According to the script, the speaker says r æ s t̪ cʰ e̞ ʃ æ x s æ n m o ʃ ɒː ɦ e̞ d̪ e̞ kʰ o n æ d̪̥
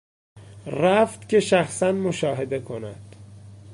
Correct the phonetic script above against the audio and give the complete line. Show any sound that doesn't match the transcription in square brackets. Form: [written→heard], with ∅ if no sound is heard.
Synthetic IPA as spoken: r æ [s→f] t̪ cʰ e̞ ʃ æ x s æ n m o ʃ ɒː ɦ e̞ d̪ e̞ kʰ o n æ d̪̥

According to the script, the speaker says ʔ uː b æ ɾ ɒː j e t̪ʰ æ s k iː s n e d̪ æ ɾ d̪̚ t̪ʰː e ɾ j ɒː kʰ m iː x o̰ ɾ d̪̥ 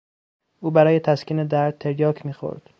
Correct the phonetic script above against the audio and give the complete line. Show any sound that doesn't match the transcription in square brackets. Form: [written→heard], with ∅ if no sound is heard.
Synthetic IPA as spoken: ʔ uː b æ ɾ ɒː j e t̪ʰ æ s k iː [s→∅] n e d̪ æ ɾ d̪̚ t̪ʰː e ɾ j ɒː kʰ m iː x o̰ ɾ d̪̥

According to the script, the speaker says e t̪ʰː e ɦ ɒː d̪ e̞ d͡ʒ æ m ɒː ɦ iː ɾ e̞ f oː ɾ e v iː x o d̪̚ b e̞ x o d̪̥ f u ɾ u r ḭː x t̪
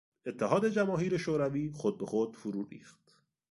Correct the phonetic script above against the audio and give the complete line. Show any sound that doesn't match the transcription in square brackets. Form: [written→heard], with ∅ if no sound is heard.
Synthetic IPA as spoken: e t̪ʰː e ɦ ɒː d̪ e̞ d͡ʒ æ m ɒː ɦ iː ɾ e̞ [f→ʃ] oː ɾ [e→æ] v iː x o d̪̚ b e̞ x o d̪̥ f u ɾ u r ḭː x t̪

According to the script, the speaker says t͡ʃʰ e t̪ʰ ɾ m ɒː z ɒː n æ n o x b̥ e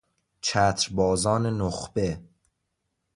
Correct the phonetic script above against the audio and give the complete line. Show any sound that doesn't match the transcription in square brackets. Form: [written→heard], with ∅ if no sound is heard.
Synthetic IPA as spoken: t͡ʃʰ [e→æ] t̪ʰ ɾ [m→b] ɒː z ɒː n [æ→e] n o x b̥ e

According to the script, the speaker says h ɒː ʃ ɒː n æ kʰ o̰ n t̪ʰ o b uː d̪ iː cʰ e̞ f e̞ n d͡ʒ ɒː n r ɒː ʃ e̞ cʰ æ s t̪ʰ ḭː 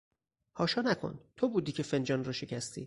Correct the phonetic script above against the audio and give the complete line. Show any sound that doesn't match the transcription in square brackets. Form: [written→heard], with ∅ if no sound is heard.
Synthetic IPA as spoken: h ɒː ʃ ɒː n æ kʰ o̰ n t̪ʰ o b uː d̪ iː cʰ e̞ f e̞ n d͡ʒ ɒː n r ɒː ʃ e̞ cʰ æ s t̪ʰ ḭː

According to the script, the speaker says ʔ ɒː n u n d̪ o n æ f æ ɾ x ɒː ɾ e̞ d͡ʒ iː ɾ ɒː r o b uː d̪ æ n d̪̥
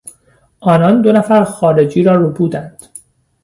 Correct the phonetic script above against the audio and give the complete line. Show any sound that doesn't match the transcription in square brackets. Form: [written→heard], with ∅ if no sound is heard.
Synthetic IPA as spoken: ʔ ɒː n [u→ɒ] n d̪ o n æ f æ ɾ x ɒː ɾ e̞ d͡ʒ iː ɾ ɒː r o b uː d̪ æ n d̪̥

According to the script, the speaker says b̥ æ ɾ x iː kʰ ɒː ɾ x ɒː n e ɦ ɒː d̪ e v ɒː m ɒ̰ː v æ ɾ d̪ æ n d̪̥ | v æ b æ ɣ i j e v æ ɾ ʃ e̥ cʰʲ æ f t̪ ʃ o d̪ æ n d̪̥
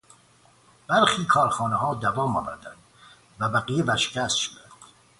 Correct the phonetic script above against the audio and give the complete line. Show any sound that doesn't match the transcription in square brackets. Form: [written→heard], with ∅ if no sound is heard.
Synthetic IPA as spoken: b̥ æ ɾ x iː kʰ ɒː ɾ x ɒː n e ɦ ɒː d̪ [e→æ] v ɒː m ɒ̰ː v æ ɾ d̪ æ n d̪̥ | v æ b æ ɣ i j e v æ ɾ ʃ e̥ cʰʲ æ [f→s] t̪ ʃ o d̪ æ n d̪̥

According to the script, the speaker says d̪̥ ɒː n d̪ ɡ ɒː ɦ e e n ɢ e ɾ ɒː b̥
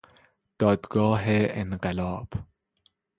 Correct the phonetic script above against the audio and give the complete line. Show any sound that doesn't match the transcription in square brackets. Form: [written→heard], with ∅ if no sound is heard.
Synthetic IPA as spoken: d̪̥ ɒː [n→∅] d̪ ɡ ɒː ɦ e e n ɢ e [ɾ→l] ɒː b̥

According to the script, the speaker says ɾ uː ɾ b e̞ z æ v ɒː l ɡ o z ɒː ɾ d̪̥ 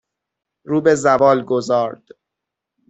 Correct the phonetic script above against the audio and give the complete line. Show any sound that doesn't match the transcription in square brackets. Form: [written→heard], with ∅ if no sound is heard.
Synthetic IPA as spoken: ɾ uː [ɾ→∅] b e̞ z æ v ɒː l ɡ o z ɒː ɾ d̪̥

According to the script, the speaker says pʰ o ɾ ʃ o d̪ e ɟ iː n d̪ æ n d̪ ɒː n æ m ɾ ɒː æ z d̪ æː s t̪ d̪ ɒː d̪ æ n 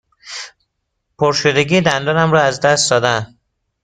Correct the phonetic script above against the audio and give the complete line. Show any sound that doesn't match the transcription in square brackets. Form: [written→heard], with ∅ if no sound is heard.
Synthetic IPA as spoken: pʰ o ɾ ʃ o d̪ e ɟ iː [n→∅] d̪ æ n d̪ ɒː n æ m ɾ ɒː æ z d̪ [æː→æ] s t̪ d̪ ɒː d̪ æ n

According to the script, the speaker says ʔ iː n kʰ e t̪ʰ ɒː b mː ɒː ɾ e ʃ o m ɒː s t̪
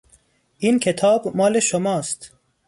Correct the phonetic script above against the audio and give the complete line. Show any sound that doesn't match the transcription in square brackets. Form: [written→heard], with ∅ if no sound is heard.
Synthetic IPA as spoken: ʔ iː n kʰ e t̪ʰ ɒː b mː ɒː [ɾ→l] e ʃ o m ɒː s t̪

